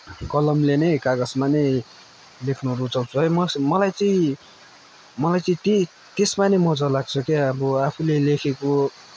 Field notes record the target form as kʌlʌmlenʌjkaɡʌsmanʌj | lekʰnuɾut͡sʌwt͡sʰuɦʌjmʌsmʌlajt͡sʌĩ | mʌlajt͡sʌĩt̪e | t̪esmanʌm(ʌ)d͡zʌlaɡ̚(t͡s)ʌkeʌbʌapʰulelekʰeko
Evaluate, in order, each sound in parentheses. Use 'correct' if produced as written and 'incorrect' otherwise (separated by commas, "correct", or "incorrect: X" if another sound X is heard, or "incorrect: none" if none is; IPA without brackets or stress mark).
correct, incorrect: t͡sʰ